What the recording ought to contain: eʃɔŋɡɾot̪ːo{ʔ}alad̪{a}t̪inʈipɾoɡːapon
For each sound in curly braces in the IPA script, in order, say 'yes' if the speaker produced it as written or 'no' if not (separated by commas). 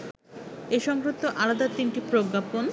yes, yes